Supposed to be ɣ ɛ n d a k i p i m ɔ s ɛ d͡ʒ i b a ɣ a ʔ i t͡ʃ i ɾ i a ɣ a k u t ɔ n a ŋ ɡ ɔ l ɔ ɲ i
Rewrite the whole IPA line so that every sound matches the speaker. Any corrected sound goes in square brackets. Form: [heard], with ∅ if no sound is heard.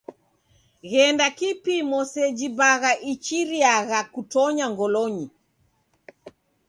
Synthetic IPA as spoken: ɣ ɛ n d a k i p i m ɔ s ɛ d͡ʒ i b a ɣ a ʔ i t͡ʃ i ɾ i a ɣ a k u t ɔ [ɲ] a ŋ ɡ ɔ l ɔ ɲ i

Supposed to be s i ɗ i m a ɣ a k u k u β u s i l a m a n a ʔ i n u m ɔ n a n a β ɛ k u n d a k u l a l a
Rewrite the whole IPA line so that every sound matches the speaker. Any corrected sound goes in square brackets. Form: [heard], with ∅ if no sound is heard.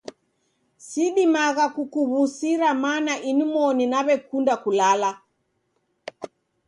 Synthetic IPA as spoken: s i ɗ i m a ɣ a k u k u β u s i [ɾ] a m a n a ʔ i n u m ɔ n [i] n a β ɛ k u n d a k u l a l a

